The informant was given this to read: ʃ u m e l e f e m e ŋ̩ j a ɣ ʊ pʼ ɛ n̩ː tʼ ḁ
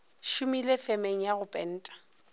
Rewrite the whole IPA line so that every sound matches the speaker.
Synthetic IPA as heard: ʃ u m i l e f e m e ŋ̩ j a ɣ ʊ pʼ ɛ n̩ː tʼ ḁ